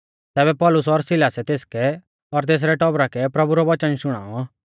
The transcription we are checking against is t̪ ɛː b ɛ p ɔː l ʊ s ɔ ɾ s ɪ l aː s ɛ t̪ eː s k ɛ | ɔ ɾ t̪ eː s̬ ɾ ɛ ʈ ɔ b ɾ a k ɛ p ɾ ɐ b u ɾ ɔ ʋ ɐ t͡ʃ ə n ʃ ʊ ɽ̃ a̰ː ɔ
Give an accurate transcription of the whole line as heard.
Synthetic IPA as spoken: t̪ ɛː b ɛ p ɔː l ʊ s ɔ ɾ s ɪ l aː s ɛ t̪ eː s k ɛ | ɔ ɾ t̪ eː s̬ ɾ ɛ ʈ ɔ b ɾ a k ɛ p ɾ ɐ b u ɾ ɔ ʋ ɐ t͡ʃ ə n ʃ ʊ ɽ̃ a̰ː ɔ